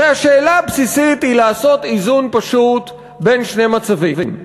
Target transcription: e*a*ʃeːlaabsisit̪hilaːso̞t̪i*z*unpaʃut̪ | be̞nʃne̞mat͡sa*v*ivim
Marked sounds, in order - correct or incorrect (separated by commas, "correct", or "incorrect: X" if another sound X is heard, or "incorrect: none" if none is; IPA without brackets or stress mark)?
correct, correct, correct